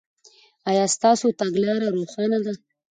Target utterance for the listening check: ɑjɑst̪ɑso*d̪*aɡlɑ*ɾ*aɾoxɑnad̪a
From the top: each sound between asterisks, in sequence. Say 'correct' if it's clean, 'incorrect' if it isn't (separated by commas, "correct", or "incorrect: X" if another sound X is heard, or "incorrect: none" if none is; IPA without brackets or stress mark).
incorrect: t̪, correct